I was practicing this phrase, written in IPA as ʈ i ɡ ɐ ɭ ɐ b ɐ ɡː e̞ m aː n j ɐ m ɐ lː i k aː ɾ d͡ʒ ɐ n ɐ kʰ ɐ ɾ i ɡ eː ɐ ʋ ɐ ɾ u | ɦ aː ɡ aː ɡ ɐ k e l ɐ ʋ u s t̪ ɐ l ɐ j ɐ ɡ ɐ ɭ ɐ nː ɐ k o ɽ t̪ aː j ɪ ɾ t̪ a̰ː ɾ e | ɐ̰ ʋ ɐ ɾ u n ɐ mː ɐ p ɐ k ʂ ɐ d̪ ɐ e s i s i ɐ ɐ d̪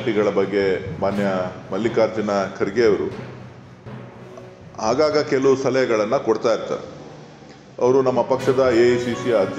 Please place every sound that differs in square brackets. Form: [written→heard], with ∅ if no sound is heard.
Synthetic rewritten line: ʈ i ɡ ɐ ɭ ɐ b ɐ ɡː e̞ m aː n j ɐ m ɐ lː i k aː ɾ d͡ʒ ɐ n ɐ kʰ ɐ ɾ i ɡ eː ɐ ʋ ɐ ɾ u | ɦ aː ɡ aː ɡ ɐ k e l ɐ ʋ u s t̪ ɐ l ɐ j ɐ ɡ ɐ ɭ ɐ nː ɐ k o ɽ t̪ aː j [ɪ→i] ɾ t̪ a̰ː ɾ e | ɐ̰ ʋ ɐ ɾ u n ɐ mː ɐ p ɐ k ʂ ɐ d̪ ɐ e s i s i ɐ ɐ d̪